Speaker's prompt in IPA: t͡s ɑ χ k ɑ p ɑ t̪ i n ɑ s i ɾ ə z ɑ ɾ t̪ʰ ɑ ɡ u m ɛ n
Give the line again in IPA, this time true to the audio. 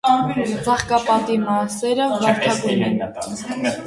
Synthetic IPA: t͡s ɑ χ k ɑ p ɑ t̪ i m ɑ s ɛ ɾ ə v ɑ ɾ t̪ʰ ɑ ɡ u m ɛ n